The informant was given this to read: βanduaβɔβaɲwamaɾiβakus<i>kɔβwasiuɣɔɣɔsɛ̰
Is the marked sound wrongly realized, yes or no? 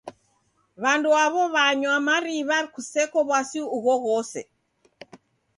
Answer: yes